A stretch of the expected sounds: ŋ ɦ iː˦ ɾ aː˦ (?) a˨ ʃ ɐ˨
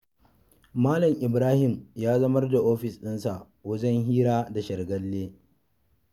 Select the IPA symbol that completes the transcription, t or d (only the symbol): d